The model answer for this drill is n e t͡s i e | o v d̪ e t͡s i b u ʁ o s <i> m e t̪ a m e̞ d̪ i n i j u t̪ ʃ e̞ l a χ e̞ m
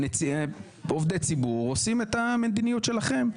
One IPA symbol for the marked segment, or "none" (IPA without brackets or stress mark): i